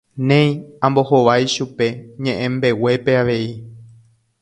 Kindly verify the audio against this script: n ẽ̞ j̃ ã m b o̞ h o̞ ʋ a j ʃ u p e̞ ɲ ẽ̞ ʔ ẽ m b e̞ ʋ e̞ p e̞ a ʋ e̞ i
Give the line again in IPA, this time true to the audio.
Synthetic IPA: n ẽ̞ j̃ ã m b o̞ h o̞ ʋ a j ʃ u p e̞ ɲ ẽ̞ ʔ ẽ m b e̞ w e̞ p e̞ a ʋ e̞ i